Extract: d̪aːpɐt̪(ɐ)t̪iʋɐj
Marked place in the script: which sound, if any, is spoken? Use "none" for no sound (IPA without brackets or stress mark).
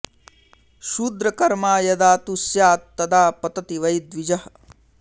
ɐ